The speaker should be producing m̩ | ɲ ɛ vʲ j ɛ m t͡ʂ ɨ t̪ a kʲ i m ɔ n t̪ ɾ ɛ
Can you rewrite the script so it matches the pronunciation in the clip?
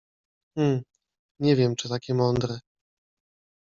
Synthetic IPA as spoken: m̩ | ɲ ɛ vʲ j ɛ m t͡ʂ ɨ t̪ a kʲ ɛ m ɔ n d̪ ɾ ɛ